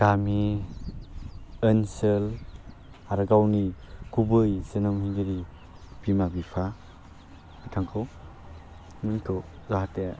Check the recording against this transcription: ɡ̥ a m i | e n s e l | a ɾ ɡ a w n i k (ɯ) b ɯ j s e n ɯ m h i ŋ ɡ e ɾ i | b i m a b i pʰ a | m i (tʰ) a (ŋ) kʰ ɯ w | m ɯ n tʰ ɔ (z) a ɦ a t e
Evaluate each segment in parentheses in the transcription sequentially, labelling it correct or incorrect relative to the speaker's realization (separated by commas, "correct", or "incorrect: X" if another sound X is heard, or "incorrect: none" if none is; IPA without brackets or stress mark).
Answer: incorrect: u, correct, correct, correct